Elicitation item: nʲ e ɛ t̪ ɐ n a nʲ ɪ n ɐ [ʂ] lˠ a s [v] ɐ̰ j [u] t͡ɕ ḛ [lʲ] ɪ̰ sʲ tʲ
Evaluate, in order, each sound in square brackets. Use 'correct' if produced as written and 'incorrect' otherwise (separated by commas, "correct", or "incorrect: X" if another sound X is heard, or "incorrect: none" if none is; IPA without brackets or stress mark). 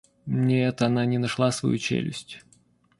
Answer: correct, correct, correct, correct